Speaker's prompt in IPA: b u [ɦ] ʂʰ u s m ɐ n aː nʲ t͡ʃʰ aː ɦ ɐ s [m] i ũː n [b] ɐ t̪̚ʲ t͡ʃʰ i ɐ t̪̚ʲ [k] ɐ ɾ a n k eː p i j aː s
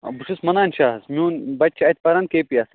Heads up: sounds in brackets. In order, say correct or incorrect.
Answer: incorrect: none, correct, correct, incorrect: p

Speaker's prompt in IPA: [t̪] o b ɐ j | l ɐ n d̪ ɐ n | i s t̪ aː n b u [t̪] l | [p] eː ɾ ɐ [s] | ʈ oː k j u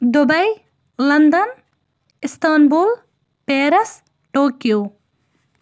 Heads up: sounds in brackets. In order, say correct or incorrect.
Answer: incorrect: d̪, incorrect: none, correct, correct

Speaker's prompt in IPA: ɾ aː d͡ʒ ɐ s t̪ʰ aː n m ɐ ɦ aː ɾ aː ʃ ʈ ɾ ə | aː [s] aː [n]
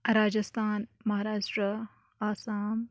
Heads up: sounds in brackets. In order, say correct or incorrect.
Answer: correct, incorrect: m

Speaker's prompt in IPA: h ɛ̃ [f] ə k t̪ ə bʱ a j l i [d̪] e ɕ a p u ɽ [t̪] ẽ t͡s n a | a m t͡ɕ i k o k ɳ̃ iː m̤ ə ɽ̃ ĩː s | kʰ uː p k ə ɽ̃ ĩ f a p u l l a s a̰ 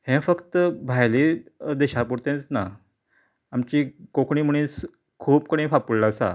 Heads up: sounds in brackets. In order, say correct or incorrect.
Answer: correct, correct, correct

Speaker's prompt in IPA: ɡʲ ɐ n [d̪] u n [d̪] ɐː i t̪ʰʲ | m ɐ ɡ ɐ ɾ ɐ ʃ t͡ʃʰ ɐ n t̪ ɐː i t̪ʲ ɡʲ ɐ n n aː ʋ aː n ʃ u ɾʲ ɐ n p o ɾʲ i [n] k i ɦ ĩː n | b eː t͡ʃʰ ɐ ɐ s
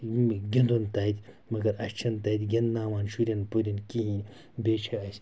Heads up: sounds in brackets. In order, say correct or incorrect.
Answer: correct, incorrect: t̪, correct

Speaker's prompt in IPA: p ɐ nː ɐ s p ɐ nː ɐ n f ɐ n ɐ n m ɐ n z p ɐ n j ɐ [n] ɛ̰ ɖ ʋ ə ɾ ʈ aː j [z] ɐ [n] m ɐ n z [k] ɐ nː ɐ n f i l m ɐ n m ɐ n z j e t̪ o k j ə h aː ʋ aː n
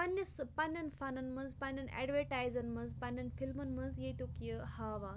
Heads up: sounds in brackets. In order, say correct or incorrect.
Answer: correct, correct, correct, incorrect: p

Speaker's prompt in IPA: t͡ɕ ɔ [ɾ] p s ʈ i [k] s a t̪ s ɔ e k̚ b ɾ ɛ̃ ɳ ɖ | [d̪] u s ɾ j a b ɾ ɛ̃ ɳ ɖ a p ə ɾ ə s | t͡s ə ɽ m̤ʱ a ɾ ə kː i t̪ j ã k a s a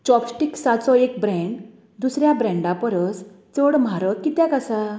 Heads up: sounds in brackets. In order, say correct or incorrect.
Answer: incorrect: none, correct, correct

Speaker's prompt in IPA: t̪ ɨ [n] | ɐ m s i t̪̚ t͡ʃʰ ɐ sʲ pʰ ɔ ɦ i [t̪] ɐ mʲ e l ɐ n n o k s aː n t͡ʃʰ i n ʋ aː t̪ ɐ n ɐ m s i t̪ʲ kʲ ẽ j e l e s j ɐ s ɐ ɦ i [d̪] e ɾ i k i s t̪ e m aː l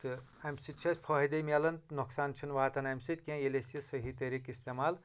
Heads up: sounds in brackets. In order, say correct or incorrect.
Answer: incorrect: none, incorrect: d̪, incorrect: t̪

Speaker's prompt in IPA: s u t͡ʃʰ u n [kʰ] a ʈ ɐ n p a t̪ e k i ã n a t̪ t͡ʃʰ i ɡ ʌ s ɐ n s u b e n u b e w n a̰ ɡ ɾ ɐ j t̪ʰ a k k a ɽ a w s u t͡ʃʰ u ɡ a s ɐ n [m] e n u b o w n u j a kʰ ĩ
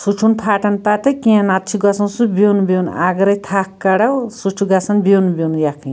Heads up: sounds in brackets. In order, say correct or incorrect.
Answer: incorrect: pʰ, incorrect: b

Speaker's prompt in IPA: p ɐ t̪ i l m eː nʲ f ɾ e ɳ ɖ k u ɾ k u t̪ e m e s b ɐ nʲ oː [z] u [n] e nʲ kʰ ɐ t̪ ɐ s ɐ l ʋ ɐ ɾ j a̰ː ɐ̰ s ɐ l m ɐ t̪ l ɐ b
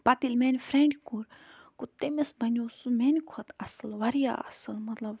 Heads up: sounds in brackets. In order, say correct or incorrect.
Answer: incorrect: s, incorrect: m

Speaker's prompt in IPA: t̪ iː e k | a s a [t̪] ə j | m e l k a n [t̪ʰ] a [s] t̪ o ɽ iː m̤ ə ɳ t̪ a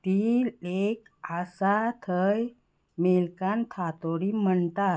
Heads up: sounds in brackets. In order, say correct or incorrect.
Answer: incorrect: t̪ʰ, correct, incorrect: none

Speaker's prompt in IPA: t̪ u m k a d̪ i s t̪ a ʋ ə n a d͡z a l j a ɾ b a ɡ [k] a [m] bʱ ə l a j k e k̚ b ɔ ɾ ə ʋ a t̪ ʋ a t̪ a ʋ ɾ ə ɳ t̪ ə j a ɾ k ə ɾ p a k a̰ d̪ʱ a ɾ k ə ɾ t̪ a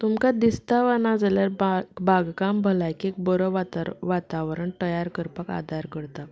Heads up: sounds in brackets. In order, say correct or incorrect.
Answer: correct, correct

